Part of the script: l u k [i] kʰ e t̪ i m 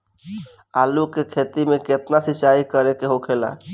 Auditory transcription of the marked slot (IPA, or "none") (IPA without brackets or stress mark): e